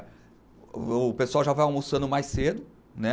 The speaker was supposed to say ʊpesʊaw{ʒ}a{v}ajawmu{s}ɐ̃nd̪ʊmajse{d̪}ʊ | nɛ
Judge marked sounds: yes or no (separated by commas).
yes, yes, yes, yes